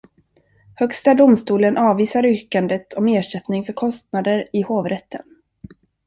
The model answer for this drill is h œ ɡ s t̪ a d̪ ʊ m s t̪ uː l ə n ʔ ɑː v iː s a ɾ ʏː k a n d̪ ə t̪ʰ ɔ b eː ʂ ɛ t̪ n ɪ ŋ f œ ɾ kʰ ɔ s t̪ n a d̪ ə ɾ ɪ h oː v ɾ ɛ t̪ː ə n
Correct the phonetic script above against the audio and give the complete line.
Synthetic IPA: h œ k s t̪ a d̪ ʊ m s t̪ uː l ə n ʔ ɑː v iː s a ɾ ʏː k a n d̪ ə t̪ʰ ɔ m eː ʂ ɛ t̪ n ɪ ŋ f œ ɾ kʰ ɔ s t̪ n a d̪ ə ɾ ɪ h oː v ɾ ɛ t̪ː ə n